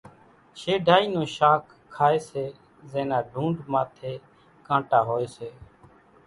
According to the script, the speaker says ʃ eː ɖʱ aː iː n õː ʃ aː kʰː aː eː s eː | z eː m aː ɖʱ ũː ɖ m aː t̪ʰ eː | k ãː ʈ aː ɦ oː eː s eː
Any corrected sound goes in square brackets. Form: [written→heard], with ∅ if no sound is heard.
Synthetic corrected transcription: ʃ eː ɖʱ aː iː n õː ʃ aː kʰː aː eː s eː | z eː [m→n] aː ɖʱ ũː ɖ m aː t̪ʰ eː | k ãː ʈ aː ɦ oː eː s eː